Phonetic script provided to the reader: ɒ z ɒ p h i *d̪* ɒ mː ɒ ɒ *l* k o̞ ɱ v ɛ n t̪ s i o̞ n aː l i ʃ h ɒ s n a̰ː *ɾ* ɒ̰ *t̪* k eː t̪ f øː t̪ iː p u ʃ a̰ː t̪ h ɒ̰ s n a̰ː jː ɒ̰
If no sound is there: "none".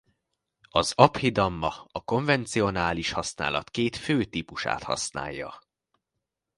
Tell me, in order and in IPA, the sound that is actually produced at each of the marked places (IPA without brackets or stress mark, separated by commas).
d̪, none, l, t̪